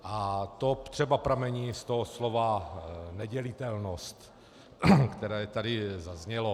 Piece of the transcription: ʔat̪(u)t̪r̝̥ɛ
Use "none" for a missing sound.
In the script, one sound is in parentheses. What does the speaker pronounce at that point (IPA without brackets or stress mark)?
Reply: o